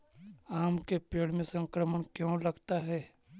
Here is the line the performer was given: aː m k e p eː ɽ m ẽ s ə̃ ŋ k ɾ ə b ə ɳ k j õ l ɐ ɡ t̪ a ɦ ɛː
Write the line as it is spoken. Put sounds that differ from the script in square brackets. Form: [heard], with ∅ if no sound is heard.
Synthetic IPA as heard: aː m k e p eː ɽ m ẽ s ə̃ ŋ k ɾ ə [m] ə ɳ k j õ l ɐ ɡ t̪ a ɦ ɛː